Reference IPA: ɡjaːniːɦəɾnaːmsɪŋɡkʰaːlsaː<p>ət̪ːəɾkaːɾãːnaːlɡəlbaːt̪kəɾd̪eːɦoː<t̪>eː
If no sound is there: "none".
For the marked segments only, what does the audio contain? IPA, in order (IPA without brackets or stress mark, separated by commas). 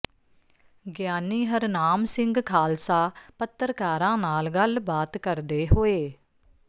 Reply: p, none